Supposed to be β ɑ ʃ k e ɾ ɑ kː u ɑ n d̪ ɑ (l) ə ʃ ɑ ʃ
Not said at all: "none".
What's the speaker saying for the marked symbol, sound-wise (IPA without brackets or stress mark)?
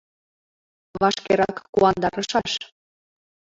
ɾ